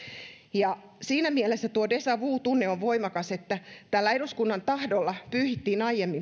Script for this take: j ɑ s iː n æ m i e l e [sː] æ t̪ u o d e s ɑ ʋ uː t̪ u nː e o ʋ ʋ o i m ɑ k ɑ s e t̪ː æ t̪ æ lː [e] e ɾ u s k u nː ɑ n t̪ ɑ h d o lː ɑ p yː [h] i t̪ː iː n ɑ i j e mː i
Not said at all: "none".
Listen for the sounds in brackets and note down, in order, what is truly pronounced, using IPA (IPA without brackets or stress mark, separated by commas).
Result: sː, æ, h